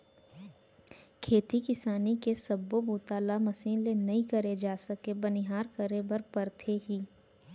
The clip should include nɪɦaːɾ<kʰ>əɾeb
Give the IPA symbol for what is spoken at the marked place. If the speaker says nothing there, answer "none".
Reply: k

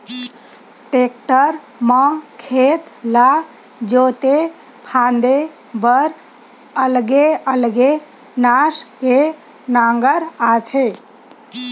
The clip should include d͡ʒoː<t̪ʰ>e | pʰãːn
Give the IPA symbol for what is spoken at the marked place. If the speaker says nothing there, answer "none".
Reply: t̪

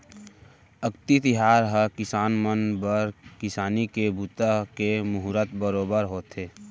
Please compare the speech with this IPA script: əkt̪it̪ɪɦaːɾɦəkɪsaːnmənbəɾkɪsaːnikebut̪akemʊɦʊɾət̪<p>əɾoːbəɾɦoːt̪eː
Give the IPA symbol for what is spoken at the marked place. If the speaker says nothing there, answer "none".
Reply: b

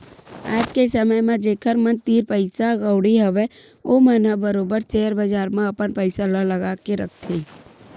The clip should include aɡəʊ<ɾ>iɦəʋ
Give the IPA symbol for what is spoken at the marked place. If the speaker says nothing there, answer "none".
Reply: ɽ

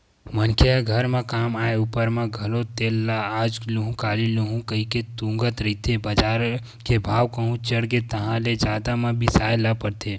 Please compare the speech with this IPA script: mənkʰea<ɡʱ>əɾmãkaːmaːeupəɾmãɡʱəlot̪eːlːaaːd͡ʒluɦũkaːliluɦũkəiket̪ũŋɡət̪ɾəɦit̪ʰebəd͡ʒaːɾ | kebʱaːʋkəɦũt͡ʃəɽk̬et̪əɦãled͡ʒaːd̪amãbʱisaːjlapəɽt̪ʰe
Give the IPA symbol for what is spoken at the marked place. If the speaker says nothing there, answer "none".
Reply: ɡʱ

